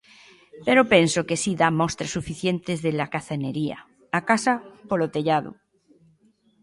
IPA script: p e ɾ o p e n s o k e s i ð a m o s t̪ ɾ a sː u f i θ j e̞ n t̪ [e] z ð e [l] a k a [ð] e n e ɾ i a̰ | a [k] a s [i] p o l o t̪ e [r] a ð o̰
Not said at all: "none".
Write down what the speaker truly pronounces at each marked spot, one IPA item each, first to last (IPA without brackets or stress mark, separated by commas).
e, l, θ, k, a, ʎ